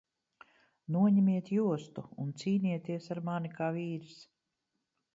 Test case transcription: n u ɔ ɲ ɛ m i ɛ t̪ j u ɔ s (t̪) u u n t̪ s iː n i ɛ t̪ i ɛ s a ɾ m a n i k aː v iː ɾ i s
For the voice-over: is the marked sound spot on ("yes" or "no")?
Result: yes